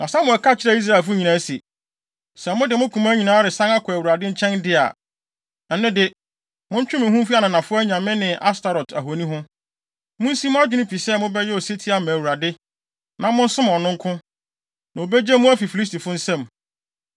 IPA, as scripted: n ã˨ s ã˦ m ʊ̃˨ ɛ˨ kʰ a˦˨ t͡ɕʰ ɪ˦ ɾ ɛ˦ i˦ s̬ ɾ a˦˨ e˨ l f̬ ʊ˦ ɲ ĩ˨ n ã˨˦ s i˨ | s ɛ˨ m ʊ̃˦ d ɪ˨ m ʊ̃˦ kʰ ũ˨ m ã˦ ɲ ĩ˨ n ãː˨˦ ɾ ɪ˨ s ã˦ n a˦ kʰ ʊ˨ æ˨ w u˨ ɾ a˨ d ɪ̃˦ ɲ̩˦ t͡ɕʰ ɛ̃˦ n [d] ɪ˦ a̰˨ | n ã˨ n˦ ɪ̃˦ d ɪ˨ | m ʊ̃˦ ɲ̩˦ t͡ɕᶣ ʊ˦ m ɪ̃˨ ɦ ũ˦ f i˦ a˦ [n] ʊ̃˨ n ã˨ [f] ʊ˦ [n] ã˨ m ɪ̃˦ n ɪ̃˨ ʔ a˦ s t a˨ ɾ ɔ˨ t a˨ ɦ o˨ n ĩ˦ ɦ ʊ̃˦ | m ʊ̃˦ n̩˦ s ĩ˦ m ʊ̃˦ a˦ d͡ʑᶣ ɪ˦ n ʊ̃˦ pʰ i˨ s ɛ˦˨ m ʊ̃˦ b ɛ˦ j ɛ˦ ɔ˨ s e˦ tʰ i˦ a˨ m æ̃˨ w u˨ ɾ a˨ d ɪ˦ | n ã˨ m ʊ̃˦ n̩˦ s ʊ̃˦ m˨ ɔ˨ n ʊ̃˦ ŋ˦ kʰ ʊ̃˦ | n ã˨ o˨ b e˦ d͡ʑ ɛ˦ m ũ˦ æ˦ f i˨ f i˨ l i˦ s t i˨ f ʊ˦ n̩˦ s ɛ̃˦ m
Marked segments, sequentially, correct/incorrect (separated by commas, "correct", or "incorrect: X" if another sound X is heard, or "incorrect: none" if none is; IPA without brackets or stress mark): correct, correct, correct, incorrect: ɲ